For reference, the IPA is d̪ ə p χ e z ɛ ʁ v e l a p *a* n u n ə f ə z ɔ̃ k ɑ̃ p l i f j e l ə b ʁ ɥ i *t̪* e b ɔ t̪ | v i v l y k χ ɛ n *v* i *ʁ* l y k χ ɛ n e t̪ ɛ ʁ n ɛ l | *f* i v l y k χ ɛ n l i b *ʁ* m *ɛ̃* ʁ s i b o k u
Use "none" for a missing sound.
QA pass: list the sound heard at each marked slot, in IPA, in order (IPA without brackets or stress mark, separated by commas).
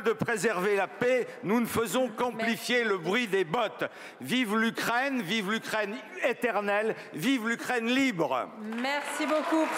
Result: e, d̪, v, v, v, ʁ, ɛ